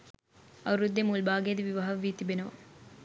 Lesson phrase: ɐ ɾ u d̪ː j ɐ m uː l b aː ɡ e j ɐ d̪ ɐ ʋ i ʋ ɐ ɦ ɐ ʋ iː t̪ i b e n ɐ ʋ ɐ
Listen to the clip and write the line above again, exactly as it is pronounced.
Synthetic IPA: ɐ ɾ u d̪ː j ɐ m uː l b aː ɡ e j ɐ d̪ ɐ ʋ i ʋ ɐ ɦ ɐ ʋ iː t̪ i b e n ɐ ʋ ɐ